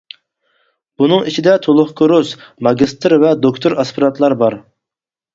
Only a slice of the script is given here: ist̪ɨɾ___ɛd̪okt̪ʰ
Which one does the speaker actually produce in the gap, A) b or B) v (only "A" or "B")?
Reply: B